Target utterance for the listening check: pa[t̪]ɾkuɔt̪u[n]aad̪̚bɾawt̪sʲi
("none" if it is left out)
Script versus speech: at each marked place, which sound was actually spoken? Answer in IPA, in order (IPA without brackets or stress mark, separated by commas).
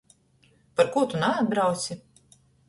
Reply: none, n